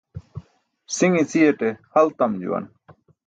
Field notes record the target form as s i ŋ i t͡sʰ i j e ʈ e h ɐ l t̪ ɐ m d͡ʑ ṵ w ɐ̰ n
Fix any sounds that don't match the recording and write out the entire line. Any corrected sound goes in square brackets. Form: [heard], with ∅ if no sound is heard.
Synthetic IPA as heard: s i ŋ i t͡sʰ i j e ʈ e h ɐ l t̪ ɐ m d͡ʑ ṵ w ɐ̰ n